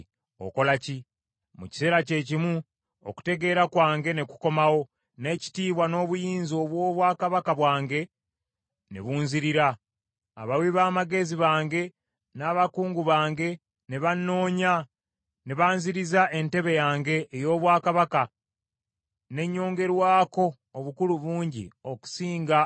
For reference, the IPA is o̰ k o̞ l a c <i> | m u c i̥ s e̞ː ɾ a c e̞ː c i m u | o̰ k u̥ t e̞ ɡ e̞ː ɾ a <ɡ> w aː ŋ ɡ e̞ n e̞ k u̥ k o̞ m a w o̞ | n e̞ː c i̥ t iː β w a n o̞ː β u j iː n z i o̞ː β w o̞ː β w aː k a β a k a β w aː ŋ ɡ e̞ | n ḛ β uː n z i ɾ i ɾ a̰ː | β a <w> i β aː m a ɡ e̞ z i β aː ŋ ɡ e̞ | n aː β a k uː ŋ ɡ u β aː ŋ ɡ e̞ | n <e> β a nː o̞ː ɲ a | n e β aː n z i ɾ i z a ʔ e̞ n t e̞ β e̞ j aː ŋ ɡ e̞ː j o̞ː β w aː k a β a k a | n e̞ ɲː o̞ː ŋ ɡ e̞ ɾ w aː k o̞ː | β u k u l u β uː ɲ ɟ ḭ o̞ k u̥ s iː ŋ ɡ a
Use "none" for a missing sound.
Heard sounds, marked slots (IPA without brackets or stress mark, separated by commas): i, k, w, e